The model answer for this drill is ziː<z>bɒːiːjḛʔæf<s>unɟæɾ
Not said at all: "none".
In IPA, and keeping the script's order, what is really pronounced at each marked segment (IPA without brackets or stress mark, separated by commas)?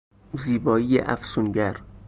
none, s